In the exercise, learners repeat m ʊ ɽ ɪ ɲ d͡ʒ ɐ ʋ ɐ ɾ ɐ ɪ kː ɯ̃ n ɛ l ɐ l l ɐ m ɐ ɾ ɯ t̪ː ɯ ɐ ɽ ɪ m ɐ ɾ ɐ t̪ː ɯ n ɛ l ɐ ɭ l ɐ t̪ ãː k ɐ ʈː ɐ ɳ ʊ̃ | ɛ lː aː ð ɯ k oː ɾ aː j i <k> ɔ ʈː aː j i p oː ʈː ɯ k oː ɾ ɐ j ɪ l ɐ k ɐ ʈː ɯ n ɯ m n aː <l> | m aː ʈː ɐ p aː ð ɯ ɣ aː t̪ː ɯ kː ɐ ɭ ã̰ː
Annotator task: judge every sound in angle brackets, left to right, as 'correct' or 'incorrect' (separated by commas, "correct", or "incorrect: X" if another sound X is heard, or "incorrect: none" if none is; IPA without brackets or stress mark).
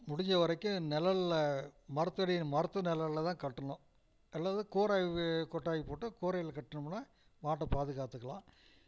correct, incorrect: none